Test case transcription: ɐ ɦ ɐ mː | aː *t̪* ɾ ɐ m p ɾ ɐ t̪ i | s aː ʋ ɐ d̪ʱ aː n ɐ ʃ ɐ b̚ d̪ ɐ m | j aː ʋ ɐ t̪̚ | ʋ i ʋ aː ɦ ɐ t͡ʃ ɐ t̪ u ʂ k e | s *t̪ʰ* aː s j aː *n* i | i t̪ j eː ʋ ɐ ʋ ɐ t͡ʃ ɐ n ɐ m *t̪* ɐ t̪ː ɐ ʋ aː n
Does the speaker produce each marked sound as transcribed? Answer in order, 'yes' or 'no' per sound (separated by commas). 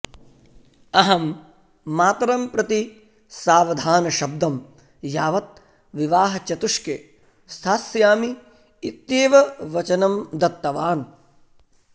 yes, yes, no, no